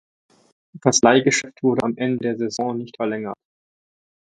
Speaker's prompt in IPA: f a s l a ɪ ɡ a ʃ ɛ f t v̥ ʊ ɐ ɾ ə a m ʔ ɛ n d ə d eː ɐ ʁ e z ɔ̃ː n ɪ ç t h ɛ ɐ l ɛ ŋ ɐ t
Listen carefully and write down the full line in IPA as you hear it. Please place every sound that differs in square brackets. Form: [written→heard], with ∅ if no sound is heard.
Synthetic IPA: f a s l a ɪ ɡ [a→ə] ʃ ɛ f t v̥ ʊ ɐ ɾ ə a m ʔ ɛ n d ə d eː ɐ [ʁ→z] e z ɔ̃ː n ɪ ç t [h→f] ɛ ɐ l ɛ ŋ ɐ t

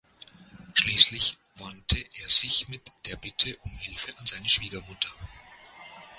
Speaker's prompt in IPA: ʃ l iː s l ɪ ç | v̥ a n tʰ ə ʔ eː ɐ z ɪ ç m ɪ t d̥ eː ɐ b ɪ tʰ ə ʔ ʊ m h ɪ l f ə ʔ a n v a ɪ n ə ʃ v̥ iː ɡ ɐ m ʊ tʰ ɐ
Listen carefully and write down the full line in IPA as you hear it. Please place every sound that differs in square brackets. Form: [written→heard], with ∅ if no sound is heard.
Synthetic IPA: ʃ l iː s l ɪ ç | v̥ a n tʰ ə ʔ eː ɐ z ɪ ç m ɪ t d̥ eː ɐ b ɪ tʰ ə ʔ ʊ m h ɪ l f ə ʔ a n [v→z] a ɪ n ə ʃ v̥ iː ɡ ɐ m ʊ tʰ ɐ

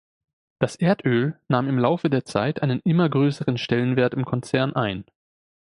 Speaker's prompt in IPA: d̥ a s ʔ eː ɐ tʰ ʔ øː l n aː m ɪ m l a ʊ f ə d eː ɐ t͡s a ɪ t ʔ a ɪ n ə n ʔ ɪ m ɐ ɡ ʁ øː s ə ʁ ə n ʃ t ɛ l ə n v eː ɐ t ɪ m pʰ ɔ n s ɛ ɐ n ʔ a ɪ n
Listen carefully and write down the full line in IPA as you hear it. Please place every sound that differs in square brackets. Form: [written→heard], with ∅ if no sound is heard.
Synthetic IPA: d̥ a s ʔ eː ɐ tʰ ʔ øː l n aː m ɪ m l a ʊ f ə d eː ɐ t͡s a ɪ t ʔ a ɪ n ə n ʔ ɪ m ɐ ɡ ʁ øː s ə ʁ ə n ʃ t ɛ l ə n v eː ɐ t ɪ m [pʰ→kʰ] ɔ n [s→t͡s] ɛ ɐ n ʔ a ɪ n

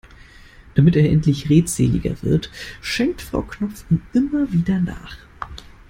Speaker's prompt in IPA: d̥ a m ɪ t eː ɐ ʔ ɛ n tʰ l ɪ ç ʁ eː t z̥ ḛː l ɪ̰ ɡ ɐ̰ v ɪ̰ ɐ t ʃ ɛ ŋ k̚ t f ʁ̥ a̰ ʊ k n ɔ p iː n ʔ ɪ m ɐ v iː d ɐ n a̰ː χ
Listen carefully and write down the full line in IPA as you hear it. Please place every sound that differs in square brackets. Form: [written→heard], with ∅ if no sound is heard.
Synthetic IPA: d̥ a m ɪ t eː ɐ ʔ ɛ n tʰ l ɪ ç ʁ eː t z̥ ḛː l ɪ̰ ɡ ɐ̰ v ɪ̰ ɐ t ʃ ɛ ŋ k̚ t f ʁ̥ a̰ ʊ k n ɔ [p→p͡f] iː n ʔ ɪ m ɐ v iː d ɐ n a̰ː χ

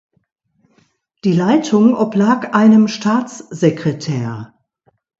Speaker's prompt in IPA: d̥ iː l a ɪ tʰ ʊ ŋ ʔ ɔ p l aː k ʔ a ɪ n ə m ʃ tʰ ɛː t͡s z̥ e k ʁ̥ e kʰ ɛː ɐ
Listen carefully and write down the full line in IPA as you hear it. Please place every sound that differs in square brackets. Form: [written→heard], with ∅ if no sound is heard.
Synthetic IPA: d̥ iː l a ɪ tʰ ʊ ŋ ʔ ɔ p l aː k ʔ a ɪ n ə m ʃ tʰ [ɛː→aː] t͡s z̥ e k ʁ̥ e [kʰ→tʰ] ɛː ɐ

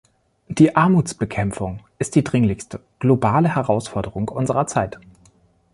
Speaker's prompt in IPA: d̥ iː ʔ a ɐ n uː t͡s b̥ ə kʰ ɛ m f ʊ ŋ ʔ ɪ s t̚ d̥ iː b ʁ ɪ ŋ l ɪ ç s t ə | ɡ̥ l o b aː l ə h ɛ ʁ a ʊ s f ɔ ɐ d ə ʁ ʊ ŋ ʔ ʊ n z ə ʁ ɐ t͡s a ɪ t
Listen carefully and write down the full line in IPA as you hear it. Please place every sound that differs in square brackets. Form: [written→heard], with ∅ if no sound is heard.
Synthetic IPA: d̥ iː ʔ a ɐ [n→m] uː t͡s b̥ ə kʰ ɛ m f ʊ ŋ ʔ ɪ s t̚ d̥ iː [b→d] ʁ ɪ ŋ l ɪ ç s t ə | ɡ̥ l o b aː l ə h ɛ ʁ a ʊ s f ɔ ɐ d ə ʁ ʊ ŋ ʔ ʊ n z ə ʁ ɐ t͡s a ɪ t

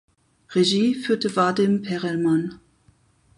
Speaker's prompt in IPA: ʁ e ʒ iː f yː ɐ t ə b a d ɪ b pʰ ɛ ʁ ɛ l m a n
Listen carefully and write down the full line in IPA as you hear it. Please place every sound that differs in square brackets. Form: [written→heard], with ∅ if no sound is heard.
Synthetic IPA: ʁ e ʒ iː f yː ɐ t ə [b→v] a d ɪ [b→m] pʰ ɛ ʁ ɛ l m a n

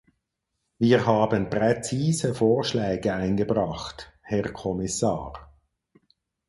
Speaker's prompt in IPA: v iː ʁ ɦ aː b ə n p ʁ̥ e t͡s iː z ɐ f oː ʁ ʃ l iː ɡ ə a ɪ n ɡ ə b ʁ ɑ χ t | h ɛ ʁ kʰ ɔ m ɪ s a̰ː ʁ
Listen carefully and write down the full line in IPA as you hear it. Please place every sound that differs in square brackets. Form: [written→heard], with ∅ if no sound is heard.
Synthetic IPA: v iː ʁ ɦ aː b ə n p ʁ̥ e t͡s iː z [ɐ→ə] f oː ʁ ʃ l [iː→ɛː] ɡ ə a ɪ n ɡ ə b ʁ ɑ χ t | h ɛ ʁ kʰ ɔ m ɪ s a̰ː ʁ

